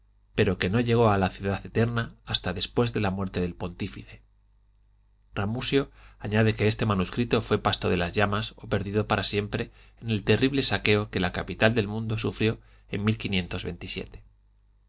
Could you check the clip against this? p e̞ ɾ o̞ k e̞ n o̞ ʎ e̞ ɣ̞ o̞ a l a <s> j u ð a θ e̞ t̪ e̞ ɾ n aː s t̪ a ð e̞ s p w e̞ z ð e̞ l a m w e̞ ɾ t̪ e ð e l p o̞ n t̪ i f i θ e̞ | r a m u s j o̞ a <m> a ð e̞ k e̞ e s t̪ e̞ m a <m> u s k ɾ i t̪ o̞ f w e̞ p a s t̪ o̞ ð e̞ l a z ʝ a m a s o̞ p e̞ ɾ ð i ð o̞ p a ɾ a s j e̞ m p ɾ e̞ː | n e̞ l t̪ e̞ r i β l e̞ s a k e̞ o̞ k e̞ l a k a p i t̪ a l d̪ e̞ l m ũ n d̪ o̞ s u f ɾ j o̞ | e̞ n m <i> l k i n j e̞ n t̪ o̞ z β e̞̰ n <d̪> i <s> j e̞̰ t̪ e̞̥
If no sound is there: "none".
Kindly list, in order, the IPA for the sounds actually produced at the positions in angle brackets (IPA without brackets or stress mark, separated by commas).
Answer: θ, ɲ, n, i, t̪, s